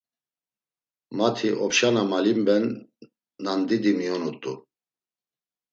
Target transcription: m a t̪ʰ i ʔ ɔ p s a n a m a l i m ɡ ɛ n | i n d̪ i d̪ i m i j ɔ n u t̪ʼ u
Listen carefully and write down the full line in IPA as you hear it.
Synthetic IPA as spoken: m a t̪ʰ i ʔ ɔ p ʃ a n a m a l i m b ɛ nː | a n d̪ i d̪ i m i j ɔ n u t̪ʼ u